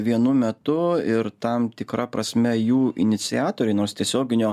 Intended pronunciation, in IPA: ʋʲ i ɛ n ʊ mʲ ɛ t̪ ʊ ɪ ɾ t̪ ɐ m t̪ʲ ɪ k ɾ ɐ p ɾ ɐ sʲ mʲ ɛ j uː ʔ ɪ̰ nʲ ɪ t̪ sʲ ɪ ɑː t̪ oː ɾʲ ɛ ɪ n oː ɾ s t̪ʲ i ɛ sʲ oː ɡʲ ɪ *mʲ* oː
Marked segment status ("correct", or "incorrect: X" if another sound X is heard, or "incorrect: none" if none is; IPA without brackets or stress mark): incorrect: nʲ